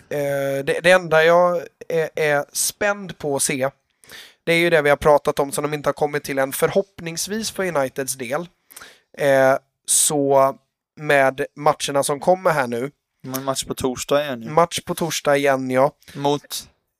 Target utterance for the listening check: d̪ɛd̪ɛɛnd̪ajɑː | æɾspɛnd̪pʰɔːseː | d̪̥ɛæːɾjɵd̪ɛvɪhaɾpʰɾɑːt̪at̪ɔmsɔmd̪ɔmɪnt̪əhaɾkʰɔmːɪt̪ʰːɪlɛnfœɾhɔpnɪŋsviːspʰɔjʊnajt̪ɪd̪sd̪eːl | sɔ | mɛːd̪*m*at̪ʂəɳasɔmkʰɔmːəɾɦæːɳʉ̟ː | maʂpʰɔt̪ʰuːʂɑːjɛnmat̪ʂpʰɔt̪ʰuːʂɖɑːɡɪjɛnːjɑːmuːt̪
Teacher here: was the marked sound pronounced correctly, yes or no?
yes